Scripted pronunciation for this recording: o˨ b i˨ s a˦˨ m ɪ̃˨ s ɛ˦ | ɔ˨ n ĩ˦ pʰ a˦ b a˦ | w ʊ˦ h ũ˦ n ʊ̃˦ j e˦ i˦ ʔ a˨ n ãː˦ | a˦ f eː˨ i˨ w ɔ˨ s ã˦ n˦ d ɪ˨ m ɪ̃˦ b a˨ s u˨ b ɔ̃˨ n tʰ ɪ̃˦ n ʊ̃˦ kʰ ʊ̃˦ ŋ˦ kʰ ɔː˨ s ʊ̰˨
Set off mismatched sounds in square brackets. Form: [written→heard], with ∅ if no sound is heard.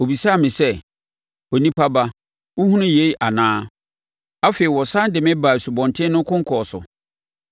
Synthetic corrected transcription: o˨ b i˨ s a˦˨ m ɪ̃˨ s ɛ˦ | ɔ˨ n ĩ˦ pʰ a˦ b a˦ | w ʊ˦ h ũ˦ n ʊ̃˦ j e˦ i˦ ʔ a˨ n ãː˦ | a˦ f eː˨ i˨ w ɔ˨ s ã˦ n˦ d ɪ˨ m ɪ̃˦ b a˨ s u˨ b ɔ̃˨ n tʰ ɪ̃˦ n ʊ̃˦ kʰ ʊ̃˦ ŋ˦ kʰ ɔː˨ s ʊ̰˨